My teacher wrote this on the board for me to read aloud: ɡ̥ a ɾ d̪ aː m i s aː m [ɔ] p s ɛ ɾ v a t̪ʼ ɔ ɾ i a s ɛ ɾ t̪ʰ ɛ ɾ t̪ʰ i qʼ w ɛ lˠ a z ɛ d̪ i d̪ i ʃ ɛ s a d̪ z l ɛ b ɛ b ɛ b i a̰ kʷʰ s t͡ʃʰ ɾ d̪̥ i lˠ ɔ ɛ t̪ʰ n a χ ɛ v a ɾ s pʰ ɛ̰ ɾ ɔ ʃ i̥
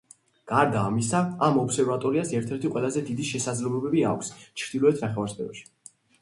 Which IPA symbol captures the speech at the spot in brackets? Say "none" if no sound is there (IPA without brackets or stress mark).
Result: ɔ